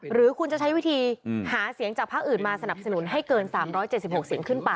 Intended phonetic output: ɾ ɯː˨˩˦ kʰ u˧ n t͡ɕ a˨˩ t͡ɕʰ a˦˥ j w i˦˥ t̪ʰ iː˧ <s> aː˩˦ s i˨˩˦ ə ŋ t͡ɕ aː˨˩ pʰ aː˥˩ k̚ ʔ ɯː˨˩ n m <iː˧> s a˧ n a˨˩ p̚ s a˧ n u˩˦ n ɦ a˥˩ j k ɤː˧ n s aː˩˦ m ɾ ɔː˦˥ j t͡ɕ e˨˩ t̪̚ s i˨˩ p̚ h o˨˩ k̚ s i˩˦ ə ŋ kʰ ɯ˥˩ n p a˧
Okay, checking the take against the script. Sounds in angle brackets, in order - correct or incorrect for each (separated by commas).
incorrect, incorrect